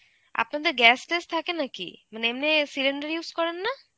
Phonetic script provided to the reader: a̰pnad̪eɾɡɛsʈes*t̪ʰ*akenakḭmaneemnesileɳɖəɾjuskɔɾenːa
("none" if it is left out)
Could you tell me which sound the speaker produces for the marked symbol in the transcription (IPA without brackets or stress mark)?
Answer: t̪ʰ